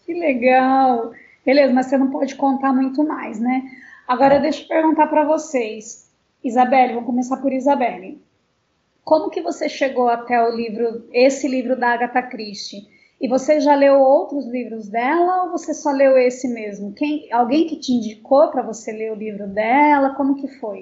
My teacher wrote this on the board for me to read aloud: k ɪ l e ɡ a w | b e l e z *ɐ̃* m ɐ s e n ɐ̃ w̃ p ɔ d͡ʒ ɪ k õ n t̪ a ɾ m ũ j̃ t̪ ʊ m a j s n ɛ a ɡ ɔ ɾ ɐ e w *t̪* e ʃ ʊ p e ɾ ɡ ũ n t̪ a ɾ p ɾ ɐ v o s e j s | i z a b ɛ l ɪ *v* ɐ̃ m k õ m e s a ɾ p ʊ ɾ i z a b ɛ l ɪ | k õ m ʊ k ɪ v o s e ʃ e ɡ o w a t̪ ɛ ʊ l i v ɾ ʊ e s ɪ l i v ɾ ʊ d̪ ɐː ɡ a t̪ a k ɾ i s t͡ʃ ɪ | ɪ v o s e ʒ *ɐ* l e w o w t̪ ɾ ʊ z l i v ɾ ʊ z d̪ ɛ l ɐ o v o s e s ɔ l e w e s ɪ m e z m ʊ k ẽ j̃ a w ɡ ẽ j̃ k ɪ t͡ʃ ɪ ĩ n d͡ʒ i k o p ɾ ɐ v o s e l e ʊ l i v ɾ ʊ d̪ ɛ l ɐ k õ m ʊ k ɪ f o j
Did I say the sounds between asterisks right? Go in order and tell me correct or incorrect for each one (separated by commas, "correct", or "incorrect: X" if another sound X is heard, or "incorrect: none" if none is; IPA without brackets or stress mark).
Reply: incorrect: ɐ, incorrect: d̪, correct, incorrect: a